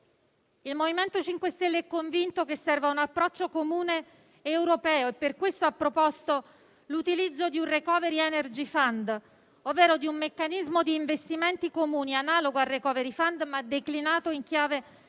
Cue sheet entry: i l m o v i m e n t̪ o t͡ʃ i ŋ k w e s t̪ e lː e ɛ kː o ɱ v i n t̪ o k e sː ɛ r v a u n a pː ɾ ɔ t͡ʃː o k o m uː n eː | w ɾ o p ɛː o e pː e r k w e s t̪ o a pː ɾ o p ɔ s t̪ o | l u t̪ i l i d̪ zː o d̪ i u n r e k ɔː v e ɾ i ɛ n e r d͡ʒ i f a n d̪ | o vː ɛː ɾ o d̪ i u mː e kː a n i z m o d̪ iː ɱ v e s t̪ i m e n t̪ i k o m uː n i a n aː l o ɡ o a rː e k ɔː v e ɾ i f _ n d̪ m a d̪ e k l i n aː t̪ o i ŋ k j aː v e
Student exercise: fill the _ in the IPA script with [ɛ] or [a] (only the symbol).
a